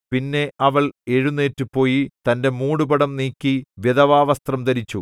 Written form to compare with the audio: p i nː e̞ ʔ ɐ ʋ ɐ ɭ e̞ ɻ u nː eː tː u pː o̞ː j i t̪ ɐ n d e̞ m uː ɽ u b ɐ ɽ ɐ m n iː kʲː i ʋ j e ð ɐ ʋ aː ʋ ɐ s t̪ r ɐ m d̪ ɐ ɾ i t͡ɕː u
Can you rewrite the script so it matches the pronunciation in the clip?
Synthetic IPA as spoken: p i nː e̞ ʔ ɐ ʋ ɐ ɭ e̞ ɻ u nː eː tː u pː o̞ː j i t̪ ɐ n d e̞ m uː ɽ u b ɐ ɽ ɐ m n iː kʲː i ʋ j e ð ɐ ʋ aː ʋ ɐ s t̪ r ɐ m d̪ ɐ ɾ i t͡ɕː u